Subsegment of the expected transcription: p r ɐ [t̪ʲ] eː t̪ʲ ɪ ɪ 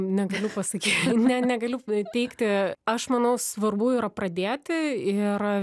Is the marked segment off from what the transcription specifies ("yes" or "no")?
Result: yes